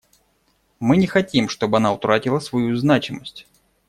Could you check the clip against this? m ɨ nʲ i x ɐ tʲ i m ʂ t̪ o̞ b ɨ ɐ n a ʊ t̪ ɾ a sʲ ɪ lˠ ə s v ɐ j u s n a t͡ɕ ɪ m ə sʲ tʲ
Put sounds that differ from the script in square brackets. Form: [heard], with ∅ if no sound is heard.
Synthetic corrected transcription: m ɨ nʲ [ɪ] x ɐ tʲ i m ʂ t̪ o̞ b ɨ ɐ n a ʊ t̪ ɾ a [tʲ] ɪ lˠ ə s v ɐ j u [z] n a t͡ɕ ɪ m ə sʲ tʲ